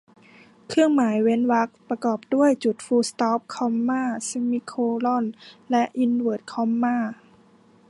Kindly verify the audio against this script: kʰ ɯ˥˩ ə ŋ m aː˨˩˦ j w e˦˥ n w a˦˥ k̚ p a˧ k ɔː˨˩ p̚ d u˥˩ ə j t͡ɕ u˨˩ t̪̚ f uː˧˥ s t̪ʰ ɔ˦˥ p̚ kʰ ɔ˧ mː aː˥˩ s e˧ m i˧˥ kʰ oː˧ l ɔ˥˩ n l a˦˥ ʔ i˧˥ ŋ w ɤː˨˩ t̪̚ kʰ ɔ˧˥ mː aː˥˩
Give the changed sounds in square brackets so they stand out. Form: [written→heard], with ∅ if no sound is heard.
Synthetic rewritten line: kʰ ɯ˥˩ ə ŋ m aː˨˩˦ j w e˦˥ n w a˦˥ k̚ p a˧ k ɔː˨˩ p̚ d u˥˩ ə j t͡ɕ u˨˩ t̪̚ f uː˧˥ s [t̪ʰ→t̪] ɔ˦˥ p̚ kʰ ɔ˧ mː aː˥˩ s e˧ m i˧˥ kʰ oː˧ l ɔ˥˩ n l [a˦˥→ɛ˦˥] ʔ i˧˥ [ŋ→n] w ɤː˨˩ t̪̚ kʰ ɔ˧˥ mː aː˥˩